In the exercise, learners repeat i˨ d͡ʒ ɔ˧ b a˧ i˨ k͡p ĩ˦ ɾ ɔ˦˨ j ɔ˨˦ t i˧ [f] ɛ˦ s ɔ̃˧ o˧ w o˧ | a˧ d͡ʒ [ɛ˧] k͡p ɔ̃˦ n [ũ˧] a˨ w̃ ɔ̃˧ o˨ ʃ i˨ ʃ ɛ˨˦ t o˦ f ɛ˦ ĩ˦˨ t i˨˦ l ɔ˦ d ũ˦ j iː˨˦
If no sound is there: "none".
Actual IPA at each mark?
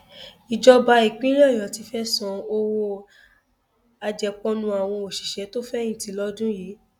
f, ɛ˧, ũ˧

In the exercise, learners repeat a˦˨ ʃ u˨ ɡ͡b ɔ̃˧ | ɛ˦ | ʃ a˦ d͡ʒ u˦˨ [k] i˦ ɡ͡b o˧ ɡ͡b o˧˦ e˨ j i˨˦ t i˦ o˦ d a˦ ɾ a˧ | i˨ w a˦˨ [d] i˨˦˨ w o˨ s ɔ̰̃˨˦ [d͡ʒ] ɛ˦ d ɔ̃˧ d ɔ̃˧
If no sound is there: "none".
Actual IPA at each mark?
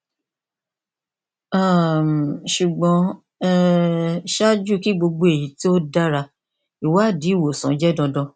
k, d, d͡ʒ

